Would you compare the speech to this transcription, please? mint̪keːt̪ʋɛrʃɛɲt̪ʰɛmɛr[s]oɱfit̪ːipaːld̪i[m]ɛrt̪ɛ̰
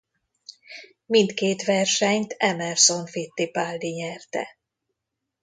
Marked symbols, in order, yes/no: yes, no

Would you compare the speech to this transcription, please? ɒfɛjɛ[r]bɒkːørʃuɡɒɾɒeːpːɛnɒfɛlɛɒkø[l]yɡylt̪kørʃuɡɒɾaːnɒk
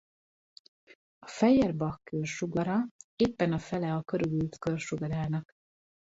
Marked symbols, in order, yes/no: yes, no

